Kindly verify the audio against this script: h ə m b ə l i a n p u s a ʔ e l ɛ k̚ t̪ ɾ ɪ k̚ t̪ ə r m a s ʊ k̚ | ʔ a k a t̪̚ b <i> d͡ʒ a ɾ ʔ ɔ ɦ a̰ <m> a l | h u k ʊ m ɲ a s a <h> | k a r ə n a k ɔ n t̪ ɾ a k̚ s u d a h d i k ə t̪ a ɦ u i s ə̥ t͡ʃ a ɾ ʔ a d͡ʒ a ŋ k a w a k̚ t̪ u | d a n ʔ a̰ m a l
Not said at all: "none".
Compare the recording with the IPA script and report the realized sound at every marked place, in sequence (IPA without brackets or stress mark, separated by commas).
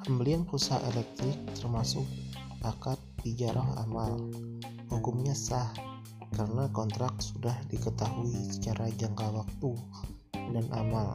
i, m, h